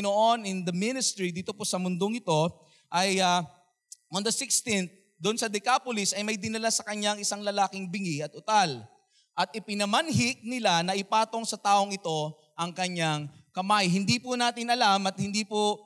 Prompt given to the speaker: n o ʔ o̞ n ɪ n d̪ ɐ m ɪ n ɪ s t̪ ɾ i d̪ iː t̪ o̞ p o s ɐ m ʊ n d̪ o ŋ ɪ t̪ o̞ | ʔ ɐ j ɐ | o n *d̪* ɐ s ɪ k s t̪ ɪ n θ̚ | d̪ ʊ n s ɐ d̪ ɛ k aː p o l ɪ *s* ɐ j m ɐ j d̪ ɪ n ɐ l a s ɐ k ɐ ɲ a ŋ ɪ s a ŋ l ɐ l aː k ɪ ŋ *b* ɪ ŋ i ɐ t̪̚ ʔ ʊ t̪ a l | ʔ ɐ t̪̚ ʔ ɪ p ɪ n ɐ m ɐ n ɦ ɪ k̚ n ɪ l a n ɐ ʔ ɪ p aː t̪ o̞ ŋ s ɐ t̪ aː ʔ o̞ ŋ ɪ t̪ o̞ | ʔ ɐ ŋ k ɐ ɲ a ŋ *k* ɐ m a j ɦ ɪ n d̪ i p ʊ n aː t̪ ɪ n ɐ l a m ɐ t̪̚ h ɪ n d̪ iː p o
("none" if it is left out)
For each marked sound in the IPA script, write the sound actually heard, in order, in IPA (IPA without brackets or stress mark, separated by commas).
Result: d̪, s, b, k